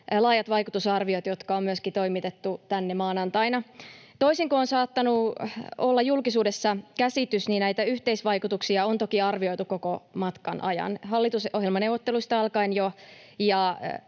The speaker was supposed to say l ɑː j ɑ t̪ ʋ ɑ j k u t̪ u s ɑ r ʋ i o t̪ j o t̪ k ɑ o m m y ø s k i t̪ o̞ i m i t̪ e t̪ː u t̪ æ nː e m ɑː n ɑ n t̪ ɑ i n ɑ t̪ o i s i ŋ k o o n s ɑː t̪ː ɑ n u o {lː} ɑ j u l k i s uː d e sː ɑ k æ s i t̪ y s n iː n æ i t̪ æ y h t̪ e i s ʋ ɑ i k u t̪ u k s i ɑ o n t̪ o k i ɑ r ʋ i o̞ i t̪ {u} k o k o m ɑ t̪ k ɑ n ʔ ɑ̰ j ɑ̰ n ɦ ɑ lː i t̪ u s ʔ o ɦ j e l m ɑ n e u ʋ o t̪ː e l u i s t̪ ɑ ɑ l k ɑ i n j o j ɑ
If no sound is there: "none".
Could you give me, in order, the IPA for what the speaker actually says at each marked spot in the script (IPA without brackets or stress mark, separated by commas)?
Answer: lː, u